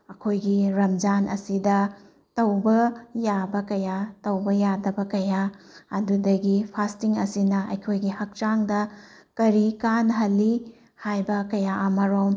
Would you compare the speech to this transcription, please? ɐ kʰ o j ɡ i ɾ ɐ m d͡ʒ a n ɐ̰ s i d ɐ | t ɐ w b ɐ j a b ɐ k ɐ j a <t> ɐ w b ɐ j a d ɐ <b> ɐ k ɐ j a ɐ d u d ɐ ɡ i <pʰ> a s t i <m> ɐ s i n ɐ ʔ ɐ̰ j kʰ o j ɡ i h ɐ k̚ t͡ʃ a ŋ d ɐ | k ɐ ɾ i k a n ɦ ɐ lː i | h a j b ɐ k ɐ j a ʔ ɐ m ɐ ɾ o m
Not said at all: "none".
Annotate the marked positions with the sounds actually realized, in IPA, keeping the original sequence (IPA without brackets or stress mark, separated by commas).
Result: t, b, pʰ, ŋ